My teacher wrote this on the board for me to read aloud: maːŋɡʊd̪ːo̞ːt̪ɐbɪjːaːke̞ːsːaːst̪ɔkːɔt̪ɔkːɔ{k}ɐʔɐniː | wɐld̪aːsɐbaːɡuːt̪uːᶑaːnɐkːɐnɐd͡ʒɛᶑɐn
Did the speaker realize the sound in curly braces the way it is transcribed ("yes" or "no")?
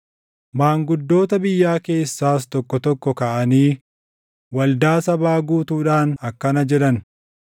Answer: yes